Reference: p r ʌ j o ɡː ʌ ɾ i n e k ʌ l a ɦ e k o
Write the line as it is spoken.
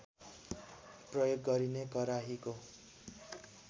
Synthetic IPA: p r ʌ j o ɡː ʌ ɾ i n e k ʌ ɾ a ɦ i k o